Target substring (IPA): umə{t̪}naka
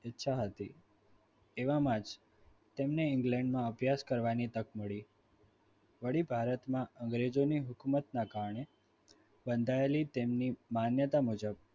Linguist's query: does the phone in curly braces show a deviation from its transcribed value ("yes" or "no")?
no